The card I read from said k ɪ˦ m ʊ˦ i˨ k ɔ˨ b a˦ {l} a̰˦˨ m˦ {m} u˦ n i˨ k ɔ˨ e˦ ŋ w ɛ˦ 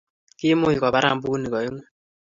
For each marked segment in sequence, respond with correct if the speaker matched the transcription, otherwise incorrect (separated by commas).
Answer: incorrect, incorrect